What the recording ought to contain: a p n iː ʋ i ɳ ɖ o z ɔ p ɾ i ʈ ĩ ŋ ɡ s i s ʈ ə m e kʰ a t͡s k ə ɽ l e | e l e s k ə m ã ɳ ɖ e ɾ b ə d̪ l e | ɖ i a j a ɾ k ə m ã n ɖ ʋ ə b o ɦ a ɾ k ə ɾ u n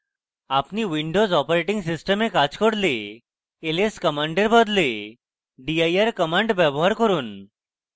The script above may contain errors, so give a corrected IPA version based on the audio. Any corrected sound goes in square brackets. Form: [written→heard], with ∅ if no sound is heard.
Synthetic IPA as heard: a p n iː ʋ i ɳ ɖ o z ɔ p ɾ [i→e] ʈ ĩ ŋ ɡ s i s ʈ ə m e [kʰ→k] a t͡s k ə ɽ l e | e l e s k ə m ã ɳ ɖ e ɾ b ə d̪ l e | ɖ i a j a ɾ k ə m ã [n→ɳ] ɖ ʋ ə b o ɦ a ɾ k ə ɾ [u→uː] n